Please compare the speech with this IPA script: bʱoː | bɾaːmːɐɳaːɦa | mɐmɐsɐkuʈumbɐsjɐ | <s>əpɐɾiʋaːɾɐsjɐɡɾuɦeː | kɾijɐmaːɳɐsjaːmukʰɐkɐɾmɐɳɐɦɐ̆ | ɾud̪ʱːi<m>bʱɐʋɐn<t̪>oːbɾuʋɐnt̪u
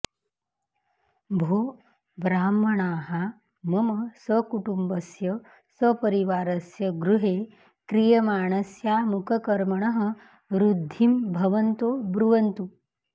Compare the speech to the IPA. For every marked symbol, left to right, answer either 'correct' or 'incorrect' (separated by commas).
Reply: correct, correct, correct